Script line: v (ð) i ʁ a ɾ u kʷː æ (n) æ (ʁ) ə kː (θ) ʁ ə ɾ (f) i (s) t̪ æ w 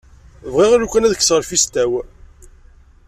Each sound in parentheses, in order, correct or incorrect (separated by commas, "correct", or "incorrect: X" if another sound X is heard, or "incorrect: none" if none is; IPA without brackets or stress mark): incorrect: ʁ, correct, incorrect: ð, incorrect: s, correct, correct